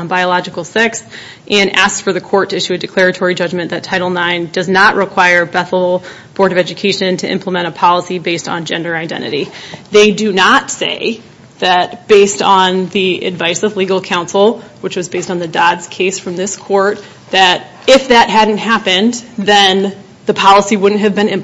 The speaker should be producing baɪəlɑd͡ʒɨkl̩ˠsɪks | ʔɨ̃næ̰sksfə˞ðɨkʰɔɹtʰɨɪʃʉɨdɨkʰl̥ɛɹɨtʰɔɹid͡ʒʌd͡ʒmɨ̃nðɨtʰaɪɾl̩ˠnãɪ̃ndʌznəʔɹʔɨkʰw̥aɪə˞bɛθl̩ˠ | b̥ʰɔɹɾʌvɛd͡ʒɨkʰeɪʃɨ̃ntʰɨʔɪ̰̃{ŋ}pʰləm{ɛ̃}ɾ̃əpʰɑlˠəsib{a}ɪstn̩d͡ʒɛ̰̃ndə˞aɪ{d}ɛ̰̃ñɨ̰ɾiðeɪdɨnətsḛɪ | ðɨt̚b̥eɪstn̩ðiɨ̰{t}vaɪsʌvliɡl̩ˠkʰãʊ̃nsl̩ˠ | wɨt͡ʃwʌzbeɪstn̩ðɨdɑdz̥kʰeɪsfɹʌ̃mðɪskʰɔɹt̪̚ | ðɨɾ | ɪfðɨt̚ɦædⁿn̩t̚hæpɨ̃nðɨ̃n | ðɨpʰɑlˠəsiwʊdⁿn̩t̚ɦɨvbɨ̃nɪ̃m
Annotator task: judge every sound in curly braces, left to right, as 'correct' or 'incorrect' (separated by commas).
incorrect, correct, incorrect, correct, incorrect